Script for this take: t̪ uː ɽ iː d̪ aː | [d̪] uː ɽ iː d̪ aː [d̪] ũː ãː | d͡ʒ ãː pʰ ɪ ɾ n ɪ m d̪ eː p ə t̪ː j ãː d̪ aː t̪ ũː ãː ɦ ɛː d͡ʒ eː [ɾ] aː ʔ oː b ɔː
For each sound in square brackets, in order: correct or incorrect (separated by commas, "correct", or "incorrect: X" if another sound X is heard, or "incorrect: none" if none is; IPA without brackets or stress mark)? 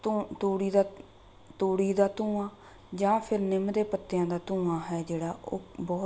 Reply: incorrect: t̪, incorrect: t̪, incorrect: ɽ